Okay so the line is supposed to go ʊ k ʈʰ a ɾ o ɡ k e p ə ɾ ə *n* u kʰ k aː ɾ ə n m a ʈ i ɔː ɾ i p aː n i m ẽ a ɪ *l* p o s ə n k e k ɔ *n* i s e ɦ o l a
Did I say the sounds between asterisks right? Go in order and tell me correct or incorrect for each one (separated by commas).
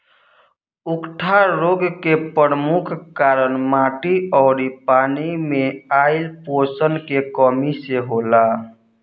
incorrect, correct, incorrect